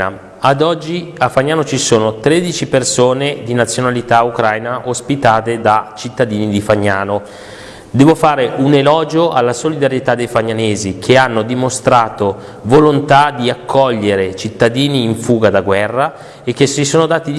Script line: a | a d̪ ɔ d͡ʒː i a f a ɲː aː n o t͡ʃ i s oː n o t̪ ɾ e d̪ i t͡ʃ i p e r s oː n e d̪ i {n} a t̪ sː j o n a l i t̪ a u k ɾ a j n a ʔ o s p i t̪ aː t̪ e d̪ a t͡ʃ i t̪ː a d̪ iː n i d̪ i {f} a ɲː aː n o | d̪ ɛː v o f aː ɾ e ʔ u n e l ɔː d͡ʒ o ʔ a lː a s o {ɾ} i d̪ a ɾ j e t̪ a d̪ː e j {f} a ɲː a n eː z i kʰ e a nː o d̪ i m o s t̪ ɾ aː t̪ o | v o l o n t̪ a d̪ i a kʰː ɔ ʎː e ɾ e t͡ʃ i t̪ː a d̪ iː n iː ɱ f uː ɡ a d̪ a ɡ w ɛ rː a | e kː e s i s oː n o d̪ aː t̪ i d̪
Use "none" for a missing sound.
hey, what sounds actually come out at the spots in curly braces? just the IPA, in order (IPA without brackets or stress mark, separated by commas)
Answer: n, f, l, f